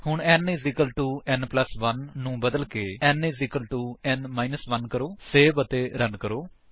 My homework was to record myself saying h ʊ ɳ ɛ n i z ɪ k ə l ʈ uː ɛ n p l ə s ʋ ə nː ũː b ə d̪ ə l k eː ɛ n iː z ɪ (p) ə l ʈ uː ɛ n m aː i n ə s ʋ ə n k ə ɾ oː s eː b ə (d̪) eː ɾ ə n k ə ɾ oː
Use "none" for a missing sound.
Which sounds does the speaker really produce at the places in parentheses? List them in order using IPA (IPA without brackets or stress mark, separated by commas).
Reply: k, t̪